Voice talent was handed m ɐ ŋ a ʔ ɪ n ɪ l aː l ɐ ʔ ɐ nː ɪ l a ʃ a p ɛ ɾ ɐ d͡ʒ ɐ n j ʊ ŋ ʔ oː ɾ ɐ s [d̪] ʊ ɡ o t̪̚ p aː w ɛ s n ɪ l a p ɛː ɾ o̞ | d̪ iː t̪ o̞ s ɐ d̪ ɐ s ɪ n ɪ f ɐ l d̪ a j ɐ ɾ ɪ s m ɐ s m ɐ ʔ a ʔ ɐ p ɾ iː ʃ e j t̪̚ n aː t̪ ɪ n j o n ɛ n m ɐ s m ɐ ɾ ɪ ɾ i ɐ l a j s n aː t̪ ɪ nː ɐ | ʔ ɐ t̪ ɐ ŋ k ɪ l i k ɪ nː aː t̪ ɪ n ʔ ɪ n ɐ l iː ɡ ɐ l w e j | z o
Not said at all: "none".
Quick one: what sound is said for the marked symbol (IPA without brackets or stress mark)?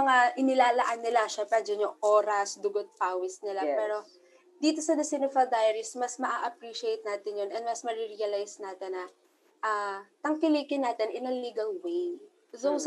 d̪